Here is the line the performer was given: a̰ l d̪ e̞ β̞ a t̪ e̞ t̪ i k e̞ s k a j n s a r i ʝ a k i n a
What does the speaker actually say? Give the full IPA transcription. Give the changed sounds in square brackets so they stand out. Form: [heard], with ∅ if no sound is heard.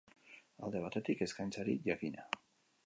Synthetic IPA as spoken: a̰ l d̪ e̞ β̞ a t̪ e̞ t̪ i k e̞ s k a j n [t͡s] a [ɾ] i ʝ a k i n a